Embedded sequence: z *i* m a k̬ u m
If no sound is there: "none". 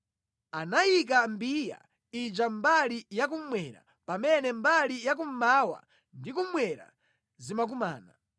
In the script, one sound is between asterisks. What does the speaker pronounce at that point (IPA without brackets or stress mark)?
i